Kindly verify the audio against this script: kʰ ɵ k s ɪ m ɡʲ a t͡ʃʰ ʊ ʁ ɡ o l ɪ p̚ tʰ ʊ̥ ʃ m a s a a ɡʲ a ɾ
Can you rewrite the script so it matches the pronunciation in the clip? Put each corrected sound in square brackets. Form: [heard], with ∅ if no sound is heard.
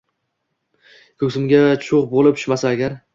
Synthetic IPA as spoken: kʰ ɵ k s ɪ m ɡʲ a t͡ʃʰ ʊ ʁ [b] o l ɪ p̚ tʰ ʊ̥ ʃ m a s a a ɡʲ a ɾ